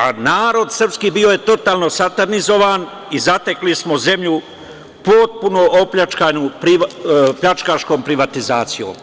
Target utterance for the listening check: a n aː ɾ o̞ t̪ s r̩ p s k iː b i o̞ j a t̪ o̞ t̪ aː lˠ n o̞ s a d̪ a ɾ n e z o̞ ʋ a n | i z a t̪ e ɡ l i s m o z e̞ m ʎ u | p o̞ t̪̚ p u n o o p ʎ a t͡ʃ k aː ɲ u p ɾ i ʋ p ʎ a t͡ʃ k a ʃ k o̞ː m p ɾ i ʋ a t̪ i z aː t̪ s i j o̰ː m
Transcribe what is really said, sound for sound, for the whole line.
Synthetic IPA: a n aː ɾ o̞ d̪ s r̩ p s k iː b i o̞ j e t̪ o̞ t̪ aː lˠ n o̞ s a t̪ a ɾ n i z o̞ ʋ a n | i z a t̪ e k l i s m o z e̞ m ʎ u | p o̞ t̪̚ p u n o o p ʎ a t͡ʃ k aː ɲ u p ɾ i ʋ p ʎ a t͡ʃ k a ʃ k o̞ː m p ɾ i ʋ a t̪ i z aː t̪ s i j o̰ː m